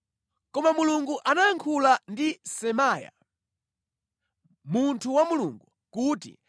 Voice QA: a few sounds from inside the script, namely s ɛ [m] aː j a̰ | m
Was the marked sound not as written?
no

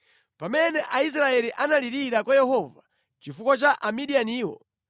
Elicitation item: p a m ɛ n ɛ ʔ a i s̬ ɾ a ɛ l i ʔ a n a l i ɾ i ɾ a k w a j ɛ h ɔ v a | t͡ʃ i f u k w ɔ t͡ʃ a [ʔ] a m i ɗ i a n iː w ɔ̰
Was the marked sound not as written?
no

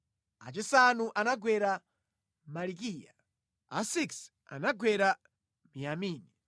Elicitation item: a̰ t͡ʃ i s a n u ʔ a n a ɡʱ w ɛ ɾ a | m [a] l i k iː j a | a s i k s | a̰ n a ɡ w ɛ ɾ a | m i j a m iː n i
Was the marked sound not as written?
no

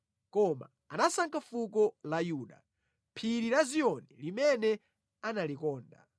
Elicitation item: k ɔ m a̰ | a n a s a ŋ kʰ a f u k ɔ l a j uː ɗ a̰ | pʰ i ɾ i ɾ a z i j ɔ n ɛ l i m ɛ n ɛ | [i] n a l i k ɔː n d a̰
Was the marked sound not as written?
yes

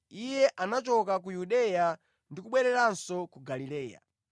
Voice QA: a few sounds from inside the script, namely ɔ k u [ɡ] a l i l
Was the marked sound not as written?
no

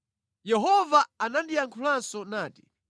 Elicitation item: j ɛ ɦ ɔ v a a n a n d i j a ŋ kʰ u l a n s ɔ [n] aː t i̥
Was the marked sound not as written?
no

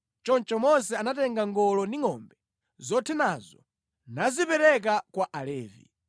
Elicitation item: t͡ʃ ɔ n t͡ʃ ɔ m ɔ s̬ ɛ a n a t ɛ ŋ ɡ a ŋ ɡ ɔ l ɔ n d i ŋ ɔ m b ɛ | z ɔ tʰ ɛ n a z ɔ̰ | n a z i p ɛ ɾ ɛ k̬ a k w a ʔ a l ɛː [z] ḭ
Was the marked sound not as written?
yes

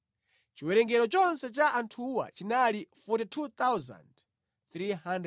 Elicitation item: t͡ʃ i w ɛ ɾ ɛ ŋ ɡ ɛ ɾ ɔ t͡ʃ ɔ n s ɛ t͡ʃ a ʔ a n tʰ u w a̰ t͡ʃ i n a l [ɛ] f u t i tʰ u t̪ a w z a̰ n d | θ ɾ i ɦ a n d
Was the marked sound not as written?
yes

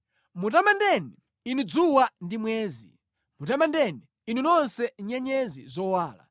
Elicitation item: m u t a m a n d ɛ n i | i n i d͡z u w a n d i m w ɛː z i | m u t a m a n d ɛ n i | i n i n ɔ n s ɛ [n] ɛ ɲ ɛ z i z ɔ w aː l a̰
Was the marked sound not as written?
yes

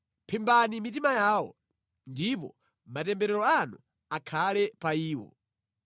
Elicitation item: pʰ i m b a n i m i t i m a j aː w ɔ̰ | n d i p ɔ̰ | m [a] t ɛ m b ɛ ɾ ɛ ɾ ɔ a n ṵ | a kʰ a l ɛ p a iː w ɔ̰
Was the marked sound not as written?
no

